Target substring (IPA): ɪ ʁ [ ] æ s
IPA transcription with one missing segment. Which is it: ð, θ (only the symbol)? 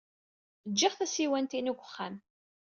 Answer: θ